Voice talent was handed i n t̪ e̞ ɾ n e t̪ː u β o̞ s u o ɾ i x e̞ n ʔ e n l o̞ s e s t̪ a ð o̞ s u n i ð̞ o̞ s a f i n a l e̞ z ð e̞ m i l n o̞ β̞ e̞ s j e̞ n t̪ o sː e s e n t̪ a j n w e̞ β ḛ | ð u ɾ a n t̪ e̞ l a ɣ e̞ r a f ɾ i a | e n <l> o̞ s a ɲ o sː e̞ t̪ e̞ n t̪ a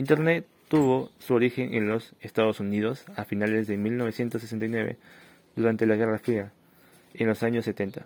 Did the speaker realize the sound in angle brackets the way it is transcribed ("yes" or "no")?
yes